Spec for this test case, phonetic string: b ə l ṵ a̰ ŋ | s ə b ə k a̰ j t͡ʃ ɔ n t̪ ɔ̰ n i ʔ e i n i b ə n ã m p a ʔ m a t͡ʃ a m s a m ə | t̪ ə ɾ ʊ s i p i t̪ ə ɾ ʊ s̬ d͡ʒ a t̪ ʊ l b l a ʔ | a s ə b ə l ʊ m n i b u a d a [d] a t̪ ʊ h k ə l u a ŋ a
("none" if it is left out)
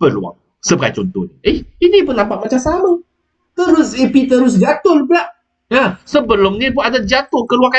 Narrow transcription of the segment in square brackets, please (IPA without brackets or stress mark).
d͡ʒ